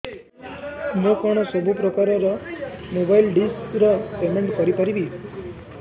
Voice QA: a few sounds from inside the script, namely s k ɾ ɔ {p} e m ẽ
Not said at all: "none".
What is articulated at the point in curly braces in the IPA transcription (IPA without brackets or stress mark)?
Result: p